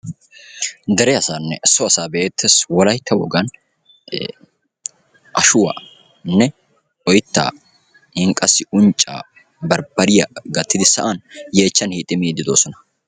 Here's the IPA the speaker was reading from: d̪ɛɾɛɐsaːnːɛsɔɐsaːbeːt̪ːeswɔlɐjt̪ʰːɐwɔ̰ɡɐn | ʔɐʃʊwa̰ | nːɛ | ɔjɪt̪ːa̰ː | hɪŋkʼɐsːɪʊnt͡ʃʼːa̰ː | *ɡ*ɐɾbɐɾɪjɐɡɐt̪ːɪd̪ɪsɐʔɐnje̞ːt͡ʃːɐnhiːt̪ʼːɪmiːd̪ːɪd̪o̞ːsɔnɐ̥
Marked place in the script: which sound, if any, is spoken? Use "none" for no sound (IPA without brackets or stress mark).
b